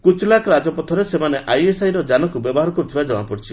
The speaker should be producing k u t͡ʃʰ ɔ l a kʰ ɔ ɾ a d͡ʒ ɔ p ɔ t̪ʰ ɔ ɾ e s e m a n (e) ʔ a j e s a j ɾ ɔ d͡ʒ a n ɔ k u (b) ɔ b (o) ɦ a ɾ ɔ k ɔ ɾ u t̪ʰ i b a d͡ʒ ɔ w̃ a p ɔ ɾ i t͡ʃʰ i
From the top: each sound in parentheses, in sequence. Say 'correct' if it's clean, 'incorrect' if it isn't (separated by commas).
correct, correct, incorrect